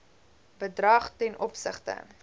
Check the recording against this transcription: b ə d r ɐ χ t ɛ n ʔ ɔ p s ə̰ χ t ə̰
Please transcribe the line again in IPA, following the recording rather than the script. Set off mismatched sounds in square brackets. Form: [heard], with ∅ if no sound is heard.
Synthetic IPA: b ə d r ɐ χ t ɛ n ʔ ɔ p s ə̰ χ t ə̰